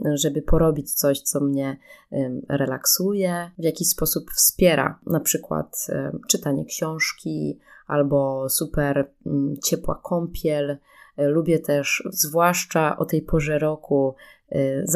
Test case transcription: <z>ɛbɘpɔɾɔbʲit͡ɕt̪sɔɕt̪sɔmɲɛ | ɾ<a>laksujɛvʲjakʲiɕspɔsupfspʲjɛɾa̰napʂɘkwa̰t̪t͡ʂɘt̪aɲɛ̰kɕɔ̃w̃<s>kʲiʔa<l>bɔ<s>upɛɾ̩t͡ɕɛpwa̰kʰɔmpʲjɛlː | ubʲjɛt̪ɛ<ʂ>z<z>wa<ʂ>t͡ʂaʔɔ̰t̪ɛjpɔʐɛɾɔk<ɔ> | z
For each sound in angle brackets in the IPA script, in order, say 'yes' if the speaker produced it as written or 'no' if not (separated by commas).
no, no, no, yes, yes, yes, no, yes, no